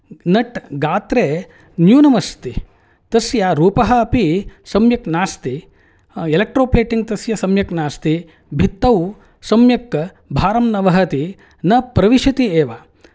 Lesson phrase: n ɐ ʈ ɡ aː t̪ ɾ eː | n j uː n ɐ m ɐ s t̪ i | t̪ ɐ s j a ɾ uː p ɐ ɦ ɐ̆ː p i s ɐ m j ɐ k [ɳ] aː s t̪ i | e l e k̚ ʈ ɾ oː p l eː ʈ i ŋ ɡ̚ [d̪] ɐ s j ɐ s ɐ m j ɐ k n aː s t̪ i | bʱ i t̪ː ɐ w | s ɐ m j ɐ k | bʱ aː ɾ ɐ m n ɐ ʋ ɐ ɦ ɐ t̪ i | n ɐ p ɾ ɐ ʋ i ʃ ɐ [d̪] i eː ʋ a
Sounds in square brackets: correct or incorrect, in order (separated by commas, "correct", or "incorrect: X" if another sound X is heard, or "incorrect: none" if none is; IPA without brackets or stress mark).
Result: incorrect: n, incorrect: t̪, incorrect: t̪